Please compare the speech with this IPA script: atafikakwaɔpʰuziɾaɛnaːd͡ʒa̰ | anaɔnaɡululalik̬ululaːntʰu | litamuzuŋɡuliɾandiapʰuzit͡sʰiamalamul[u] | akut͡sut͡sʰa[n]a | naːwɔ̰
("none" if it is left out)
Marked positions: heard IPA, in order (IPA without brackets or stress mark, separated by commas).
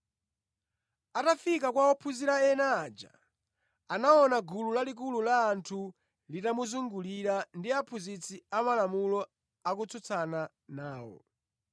ɔ, n